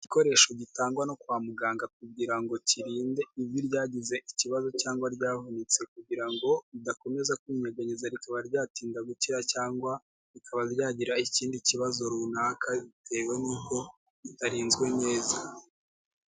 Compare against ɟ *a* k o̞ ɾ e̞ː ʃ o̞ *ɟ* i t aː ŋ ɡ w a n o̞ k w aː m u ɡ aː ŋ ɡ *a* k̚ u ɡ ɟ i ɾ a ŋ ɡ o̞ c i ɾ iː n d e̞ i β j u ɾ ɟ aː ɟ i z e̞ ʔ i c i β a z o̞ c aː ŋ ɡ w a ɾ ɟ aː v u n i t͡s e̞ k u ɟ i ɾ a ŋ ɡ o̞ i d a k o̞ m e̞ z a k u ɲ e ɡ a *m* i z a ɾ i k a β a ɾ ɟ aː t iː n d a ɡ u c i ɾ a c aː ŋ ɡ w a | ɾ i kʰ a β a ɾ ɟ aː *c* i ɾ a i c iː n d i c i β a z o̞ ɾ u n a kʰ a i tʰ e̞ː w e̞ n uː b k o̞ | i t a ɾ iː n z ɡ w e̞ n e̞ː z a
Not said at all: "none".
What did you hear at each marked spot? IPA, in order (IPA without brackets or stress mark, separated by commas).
i, ɟ, a, ɲ, ɟ